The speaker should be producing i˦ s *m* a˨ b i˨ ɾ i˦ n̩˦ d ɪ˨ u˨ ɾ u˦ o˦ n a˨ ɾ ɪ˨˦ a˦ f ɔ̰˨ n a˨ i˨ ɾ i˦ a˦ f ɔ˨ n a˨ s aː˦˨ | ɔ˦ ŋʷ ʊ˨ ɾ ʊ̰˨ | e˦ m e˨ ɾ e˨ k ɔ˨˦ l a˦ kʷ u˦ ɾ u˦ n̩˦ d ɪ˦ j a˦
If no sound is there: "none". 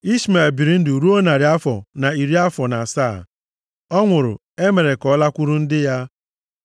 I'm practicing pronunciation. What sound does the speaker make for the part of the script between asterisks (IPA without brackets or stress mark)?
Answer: m